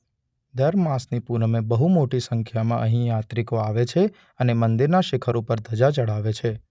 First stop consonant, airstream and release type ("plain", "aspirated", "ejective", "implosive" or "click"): plain